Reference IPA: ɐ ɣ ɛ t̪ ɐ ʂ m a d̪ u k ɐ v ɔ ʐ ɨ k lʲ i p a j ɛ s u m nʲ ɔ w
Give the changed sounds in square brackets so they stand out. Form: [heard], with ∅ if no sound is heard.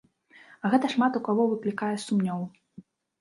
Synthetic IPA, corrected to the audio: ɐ ɣ ɛ t̪ ɐ ʂ m a [t̪] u k [a] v ɔ [v] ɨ k lʲ i [k] a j ɛ s u m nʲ ɔ w